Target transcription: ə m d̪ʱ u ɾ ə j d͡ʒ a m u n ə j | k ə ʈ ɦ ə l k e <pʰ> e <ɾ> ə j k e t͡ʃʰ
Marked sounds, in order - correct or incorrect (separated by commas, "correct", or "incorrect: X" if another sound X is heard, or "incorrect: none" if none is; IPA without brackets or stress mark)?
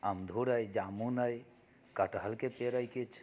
incorrect: p, correct